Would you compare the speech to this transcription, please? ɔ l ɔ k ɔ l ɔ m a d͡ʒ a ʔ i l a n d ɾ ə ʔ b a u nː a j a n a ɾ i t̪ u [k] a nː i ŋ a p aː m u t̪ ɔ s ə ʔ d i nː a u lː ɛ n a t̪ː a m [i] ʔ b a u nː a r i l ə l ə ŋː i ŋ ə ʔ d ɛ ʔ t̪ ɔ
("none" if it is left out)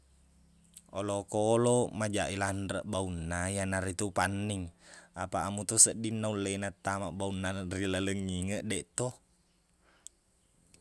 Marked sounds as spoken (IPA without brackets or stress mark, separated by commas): p, a